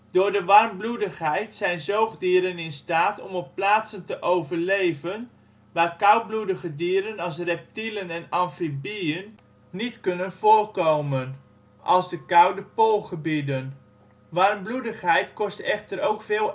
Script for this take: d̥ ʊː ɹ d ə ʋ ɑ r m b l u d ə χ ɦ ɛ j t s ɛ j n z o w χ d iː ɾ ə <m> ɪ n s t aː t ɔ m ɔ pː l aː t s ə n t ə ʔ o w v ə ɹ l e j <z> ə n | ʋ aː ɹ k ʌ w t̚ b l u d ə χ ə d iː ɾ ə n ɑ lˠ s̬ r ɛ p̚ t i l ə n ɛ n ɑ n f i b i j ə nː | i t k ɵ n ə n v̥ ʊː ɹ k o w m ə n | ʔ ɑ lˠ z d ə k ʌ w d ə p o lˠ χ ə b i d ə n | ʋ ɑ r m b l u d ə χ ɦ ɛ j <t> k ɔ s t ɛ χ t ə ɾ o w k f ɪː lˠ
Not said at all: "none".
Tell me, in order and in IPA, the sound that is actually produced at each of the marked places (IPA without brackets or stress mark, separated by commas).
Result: n, v, t